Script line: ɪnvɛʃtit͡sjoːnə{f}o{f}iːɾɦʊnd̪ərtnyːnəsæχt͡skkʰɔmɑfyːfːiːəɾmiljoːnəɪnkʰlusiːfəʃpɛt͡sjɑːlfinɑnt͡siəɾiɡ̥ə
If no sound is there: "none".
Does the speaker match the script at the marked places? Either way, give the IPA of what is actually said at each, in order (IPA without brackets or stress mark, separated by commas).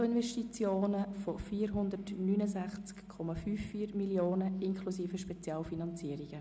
f, f